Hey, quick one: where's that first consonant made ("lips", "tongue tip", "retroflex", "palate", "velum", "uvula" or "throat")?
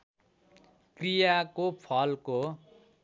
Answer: velum